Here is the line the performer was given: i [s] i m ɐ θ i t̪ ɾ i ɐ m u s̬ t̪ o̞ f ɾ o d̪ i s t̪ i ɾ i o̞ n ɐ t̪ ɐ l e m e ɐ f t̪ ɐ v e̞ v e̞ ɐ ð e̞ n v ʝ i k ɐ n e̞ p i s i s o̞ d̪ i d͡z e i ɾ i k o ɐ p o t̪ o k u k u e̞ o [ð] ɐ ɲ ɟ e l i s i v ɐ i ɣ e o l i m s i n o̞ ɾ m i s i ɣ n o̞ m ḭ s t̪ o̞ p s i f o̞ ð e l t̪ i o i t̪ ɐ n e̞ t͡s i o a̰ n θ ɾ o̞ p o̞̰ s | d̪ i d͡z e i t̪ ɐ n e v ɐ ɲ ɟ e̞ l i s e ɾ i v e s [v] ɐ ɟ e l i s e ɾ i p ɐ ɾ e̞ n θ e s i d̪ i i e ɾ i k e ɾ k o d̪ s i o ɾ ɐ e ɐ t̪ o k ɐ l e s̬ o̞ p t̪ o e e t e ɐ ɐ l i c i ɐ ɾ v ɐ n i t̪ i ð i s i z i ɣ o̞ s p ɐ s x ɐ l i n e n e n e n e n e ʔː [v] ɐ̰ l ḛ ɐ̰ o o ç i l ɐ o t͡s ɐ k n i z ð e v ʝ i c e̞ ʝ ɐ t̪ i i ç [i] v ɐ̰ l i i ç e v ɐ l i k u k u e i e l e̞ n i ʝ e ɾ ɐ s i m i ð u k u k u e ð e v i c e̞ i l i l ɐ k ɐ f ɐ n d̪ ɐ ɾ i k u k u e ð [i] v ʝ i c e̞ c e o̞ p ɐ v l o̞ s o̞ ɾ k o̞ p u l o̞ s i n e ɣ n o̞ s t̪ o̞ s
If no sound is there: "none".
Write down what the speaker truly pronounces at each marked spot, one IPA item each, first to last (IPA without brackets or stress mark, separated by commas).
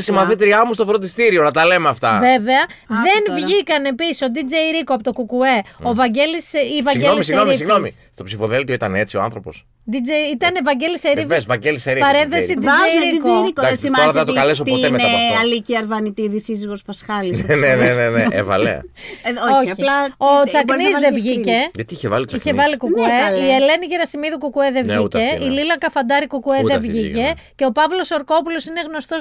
s, v, v, v, e, e